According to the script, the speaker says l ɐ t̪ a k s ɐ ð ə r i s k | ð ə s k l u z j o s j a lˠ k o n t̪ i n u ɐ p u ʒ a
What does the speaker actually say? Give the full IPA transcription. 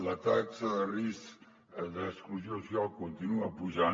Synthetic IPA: l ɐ t̪ a k s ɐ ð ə r i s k | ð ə s k l u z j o s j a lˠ k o n t̪ i n u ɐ p u ʒ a